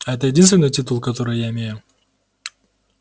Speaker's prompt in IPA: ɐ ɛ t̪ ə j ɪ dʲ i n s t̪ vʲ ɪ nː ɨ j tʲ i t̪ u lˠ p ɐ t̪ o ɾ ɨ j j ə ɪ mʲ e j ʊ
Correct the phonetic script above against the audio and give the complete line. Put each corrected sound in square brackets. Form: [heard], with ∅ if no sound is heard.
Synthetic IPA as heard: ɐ ɛ t̪ ə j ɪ dʲ i n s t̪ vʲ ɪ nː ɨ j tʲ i t̪ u lˠ [k] ɐ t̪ o ɾ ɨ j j [a] ɪ mʲ e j ʊ